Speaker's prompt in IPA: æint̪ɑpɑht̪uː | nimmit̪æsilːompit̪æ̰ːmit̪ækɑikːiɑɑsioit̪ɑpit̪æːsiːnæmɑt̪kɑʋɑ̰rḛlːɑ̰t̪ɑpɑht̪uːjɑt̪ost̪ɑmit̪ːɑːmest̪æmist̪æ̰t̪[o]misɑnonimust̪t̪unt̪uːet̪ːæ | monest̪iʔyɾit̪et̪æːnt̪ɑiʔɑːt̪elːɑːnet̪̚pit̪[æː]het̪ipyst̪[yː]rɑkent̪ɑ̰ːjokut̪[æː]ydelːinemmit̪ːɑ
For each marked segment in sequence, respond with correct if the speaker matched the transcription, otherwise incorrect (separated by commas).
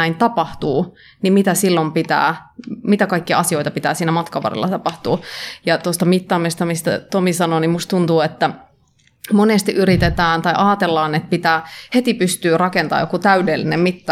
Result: correct, correct, correct, incorrect